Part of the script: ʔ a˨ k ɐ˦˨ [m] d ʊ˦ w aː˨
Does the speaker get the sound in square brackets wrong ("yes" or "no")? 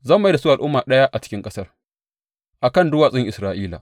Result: yes